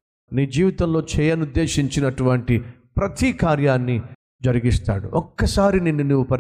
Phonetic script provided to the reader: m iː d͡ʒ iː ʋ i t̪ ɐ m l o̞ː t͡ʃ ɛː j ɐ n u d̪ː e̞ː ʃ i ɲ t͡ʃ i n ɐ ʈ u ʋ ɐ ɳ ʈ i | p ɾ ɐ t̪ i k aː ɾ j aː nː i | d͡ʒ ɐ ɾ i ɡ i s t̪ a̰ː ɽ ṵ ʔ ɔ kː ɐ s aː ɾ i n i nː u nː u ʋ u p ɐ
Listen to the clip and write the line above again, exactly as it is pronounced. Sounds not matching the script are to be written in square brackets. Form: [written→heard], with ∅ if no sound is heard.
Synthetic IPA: [m→n] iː d͡ʒ iː ʋ i t̪ ɐ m l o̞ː t͡ʃ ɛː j ɐ n u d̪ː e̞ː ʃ i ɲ t͡ʃ i n ɐ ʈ u ʋ ɐ ɳ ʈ i | p ɾ ɐ t̪ i k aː ɾ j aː nː i | d͡ʒ ɐ ɾ i ɡ i s t̪ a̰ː ɽ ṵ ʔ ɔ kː ɐ s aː ɾ i n i nː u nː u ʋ u p ɐ